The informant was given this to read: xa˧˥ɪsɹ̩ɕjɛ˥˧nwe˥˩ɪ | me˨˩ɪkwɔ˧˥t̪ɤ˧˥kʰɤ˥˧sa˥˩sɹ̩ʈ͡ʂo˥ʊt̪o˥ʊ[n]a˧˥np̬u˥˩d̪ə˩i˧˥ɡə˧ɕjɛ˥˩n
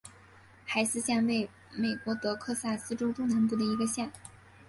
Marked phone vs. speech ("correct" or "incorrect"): correct